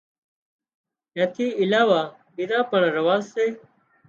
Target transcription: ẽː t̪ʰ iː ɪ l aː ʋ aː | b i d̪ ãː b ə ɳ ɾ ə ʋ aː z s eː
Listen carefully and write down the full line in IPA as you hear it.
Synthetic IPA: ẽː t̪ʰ iː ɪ l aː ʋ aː | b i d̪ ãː p ə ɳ ɾ ə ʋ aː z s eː